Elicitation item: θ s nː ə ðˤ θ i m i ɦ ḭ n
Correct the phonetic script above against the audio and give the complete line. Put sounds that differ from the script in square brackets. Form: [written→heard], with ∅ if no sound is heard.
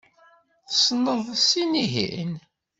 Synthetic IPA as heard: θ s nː ə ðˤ [θ→s] i [m→n] i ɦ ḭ n

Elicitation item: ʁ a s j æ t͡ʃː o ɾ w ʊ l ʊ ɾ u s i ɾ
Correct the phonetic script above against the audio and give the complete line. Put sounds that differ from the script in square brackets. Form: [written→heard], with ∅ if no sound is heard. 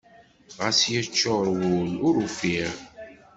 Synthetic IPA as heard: ʁ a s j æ t͡ʃː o ɾ w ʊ l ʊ ɾ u [s→f] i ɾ

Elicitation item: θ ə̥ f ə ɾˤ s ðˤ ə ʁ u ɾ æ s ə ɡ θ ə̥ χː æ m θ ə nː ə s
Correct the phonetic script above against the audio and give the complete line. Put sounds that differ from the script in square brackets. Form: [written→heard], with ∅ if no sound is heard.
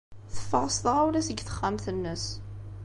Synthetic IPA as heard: θ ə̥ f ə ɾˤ s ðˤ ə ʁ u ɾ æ s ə ɡ θ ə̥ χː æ m θ ə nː ə s

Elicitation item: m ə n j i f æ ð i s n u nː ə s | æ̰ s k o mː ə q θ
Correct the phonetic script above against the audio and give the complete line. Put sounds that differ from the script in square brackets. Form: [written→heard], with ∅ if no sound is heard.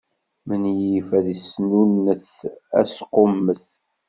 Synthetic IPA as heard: m ə n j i f æ ð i s n u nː ə [s→θ] | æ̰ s [k→q] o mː ə [q→∅] θ

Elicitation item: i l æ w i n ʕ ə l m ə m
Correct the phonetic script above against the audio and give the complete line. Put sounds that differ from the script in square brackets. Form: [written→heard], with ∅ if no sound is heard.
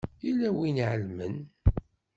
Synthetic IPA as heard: i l æ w i n ʕ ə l m ə [m→n]

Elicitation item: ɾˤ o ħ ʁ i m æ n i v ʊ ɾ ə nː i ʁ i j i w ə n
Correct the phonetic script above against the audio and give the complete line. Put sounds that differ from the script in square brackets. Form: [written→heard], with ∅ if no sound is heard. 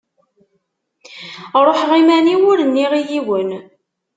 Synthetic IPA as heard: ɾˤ o ħ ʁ i m æ n i [v→w] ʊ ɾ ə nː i ʁ i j i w ə n

